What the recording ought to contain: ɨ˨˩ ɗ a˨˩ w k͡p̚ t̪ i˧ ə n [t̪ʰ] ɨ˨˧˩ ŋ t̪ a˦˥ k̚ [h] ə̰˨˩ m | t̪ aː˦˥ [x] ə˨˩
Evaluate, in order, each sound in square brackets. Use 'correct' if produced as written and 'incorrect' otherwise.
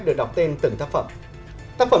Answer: incorrect: t̪, incorrect: f, incorrect: f

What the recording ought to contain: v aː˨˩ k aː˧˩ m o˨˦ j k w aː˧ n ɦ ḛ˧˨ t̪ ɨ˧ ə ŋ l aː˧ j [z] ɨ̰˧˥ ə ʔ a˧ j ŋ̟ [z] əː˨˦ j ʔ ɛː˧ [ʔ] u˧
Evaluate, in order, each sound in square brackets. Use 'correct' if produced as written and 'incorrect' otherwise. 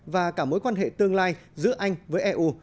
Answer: correct, incorrect: v, correct

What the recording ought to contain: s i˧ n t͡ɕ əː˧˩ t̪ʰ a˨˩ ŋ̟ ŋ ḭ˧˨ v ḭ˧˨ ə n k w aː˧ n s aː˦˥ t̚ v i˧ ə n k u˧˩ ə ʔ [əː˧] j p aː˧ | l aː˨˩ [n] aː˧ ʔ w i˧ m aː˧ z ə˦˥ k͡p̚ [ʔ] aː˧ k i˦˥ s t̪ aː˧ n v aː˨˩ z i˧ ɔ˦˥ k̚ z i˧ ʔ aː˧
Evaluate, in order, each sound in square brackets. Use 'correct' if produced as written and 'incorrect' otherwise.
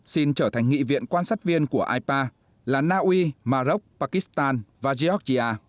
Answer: incorrect: aː˧, correct, incorrect: p

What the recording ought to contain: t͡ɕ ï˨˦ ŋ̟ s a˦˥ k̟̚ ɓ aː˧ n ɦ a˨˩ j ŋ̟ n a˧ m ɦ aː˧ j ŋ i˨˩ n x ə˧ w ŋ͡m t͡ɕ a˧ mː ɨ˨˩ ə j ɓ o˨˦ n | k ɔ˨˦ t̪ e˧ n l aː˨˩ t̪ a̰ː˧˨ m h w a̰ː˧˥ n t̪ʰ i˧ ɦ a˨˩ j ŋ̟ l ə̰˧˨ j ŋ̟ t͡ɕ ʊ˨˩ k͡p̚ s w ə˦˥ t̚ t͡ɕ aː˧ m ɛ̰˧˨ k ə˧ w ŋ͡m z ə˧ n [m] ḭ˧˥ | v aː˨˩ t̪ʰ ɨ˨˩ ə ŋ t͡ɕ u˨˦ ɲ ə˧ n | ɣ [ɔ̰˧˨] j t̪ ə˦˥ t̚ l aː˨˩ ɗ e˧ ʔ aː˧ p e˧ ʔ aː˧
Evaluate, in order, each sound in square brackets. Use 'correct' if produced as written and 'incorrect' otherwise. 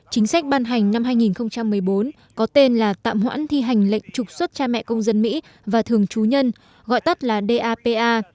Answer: correct, correct

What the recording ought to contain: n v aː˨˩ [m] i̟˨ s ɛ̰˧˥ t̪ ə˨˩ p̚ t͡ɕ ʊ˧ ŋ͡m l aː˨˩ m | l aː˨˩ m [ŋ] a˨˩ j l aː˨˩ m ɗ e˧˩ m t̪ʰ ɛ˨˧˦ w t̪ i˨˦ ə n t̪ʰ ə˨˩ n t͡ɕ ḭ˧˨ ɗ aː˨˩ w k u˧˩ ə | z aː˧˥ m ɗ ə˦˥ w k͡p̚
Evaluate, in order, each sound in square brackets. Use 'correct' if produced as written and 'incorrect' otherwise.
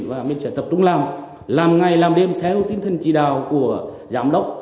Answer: correct, correct

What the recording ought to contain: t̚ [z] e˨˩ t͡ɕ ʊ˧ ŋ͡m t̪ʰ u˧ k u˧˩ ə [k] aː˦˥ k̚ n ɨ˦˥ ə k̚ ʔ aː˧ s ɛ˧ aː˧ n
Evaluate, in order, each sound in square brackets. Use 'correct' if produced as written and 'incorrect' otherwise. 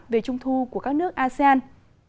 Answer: incorrect: v, correct

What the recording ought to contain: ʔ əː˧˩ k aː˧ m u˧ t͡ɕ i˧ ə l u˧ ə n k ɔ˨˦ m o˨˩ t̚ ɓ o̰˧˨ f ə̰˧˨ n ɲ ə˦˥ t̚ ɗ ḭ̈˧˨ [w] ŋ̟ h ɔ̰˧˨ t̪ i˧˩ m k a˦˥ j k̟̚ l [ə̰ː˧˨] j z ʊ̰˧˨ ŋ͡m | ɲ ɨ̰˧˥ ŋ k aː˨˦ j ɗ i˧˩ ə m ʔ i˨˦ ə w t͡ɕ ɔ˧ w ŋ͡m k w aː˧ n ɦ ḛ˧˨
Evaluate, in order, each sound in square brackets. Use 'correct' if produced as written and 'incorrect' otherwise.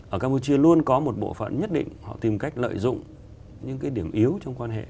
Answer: incorrect: none, correct

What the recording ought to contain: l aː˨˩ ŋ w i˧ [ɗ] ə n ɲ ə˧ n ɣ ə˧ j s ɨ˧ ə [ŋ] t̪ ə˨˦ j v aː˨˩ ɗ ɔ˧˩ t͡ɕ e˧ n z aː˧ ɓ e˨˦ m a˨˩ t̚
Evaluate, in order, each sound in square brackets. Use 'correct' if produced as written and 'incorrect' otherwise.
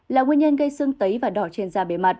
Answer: incorrect: none, correct

